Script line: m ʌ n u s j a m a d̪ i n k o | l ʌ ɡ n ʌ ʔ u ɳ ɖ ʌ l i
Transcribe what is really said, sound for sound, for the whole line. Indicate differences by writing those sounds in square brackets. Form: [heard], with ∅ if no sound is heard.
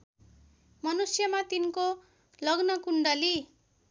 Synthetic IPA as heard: m ʌ n u s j [ʌ] m a [t̪] i n k o | l ʌ ɡ n ʌ [k] u ɳ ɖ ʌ l i